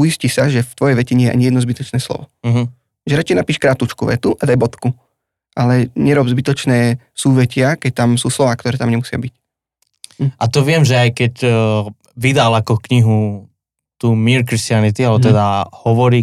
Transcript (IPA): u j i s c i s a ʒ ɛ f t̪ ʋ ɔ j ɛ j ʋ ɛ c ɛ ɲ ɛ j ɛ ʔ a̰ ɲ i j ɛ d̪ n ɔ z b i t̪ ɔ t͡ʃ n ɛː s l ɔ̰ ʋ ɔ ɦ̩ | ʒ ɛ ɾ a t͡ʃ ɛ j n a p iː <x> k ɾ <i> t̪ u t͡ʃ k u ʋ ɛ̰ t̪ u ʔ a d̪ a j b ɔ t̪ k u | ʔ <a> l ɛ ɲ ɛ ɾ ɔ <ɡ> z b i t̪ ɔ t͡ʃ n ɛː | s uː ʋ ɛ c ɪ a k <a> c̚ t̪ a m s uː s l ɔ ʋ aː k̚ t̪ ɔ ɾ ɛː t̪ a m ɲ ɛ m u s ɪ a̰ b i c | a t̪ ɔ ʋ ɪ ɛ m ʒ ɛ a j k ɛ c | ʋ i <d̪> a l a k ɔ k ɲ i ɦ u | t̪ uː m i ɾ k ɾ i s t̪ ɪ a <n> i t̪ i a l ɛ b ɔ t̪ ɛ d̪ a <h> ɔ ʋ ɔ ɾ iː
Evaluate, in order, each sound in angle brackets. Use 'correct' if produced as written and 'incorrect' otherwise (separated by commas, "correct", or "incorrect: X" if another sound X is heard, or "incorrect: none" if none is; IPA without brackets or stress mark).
incorrect: ʃ, incorrect: a, correct, incorrect: b, incorrect: ɛ, correct, correct, correct